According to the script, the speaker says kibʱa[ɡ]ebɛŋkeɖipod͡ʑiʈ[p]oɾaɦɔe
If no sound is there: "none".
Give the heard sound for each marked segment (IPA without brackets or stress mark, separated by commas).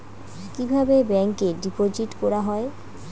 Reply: b, k